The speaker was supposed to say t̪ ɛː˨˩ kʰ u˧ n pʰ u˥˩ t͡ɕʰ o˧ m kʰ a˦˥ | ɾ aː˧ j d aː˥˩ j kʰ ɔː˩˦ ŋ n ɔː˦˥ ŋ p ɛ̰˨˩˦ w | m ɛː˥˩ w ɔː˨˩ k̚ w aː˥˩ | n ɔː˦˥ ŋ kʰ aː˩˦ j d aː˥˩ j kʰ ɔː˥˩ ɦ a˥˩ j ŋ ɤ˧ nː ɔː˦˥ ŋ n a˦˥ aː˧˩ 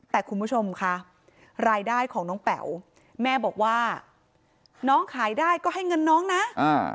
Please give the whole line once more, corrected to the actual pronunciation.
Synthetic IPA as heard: t̪ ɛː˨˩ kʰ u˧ n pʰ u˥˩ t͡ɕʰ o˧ m kʰ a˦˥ | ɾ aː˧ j d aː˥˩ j kʰ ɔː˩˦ ŋ n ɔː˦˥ ŋ p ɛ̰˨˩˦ w | m ɛː˥˩ b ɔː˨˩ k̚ w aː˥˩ | n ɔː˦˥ ŋ kʰ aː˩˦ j d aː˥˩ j k ɔː˥˩ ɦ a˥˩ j ŋ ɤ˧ nː ɔː˦˥ ŋ n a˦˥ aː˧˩